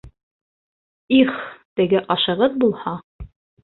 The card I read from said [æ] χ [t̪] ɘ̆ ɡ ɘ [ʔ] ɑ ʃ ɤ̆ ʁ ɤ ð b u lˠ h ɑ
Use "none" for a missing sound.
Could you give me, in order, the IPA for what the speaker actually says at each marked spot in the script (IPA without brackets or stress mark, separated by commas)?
i, t̪, ʔ